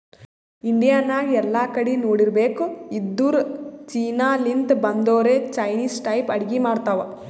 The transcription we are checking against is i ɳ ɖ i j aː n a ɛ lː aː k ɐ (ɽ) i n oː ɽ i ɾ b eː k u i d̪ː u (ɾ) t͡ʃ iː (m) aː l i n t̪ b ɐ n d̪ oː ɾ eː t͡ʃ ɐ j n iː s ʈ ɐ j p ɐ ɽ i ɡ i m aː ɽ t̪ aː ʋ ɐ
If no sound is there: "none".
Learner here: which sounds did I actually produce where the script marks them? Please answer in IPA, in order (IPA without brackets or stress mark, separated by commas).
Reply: ɽ, ɾ, n